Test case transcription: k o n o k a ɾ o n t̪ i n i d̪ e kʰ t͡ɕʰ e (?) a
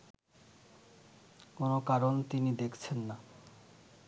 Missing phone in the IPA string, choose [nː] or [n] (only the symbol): nː